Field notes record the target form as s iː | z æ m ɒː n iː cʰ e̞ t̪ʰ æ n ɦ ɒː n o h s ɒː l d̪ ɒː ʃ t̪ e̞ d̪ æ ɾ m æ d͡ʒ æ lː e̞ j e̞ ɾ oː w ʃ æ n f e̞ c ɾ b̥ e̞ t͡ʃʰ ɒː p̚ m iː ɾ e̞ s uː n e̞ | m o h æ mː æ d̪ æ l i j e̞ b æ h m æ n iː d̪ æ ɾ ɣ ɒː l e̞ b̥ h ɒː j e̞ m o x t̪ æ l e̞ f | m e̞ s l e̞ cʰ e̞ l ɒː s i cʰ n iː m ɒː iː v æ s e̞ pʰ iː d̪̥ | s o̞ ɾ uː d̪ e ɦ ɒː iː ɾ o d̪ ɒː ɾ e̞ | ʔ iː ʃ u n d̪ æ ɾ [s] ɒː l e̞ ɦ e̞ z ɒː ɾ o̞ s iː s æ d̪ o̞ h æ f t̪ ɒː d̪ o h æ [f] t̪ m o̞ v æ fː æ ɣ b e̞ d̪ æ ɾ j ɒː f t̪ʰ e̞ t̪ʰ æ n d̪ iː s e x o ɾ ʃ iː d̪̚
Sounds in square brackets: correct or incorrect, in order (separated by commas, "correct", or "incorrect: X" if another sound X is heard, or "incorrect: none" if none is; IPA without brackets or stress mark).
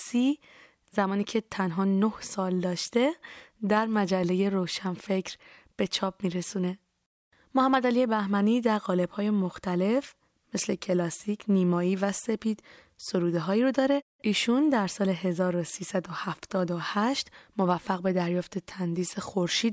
correct, incorrect: ʃ